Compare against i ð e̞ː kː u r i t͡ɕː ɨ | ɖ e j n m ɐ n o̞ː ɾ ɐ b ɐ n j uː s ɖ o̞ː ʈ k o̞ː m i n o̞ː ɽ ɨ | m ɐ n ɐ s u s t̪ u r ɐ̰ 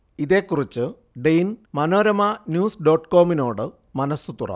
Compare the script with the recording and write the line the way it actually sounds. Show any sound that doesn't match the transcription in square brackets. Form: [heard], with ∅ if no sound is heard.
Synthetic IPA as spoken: i ð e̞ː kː u r i t͡ɕː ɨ | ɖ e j n m ɐ n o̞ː ɾ ɐ [m] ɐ n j uː s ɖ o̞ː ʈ k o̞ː m i n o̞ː ɽ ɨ | m ɐ n ɐ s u [∅] t̪ u r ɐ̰